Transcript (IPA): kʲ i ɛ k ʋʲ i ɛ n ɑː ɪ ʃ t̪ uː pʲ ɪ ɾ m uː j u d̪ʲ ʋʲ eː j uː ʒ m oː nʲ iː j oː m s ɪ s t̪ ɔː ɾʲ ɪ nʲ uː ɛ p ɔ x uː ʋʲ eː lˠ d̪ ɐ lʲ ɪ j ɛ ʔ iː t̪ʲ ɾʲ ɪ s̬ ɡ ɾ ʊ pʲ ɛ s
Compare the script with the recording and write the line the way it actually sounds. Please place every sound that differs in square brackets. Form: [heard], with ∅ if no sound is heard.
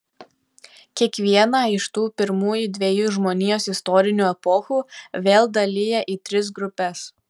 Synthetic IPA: kʲ i ɛ k ʋʲ i ɛ n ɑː ɪ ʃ t̪ uː pʲ ɪ ɾ m uː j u d̪ʲ ʋʲ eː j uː ʒ m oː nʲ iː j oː [∅] s ɪ s t̪ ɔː ɾʲ ɪ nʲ uː ɛ p ɔ x uː ʋʲ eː lˠ d̪ ɐ lʲ ɪ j ɛ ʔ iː t̪ʲ ɾʲ ɪ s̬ ɡ ɾ ʊ pʲ ɛ s